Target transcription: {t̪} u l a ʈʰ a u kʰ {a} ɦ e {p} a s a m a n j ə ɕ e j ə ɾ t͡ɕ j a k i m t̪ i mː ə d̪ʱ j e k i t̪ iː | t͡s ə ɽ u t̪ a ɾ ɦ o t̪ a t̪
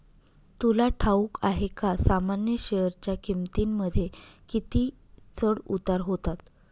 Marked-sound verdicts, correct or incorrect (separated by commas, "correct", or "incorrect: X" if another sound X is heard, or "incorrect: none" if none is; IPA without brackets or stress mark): correct, correct, incorrect: k